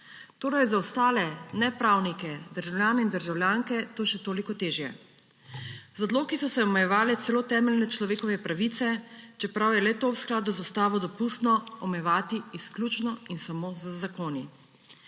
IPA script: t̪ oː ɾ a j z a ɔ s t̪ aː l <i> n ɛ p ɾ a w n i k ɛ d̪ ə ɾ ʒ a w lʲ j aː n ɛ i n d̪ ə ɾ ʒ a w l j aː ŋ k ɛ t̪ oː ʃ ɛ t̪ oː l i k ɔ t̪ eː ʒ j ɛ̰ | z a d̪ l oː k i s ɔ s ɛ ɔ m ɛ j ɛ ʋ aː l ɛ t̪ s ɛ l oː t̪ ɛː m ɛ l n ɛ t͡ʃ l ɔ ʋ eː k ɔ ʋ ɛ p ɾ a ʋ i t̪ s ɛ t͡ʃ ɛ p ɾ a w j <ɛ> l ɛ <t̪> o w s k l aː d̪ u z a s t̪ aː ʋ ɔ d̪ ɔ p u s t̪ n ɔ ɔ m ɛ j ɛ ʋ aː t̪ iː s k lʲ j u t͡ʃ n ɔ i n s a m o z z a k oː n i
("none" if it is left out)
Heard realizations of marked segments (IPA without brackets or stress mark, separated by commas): ɛ, ɛ, t̪